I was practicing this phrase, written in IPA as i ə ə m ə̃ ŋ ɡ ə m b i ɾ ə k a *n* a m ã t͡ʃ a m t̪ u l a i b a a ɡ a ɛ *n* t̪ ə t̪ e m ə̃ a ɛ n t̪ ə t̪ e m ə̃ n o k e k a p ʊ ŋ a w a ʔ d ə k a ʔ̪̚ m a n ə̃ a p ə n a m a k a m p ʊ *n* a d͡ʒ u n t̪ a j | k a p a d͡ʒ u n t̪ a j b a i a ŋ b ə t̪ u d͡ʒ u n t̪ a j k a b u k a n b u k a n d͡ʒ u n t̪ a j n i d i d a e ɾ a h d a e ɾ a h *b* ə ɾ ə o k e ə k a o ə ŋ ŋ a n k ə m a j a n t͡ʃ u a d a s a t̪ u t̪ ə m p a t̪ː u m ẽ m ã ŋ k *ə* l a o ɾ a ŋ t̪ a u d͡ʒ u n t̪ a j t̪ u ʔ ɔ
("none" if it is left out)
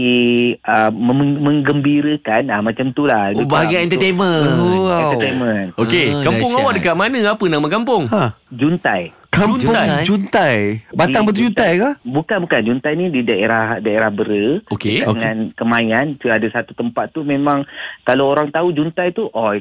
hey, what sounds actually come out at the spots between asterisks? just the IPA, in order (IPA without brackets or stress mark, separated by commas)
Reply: n, n, ŋ, b, a